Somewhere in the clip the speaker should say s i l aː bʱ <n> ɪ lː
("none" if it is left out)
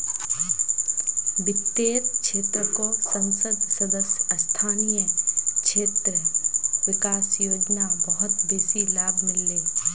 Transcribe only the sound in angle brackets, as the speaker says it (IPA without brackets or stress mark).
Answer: m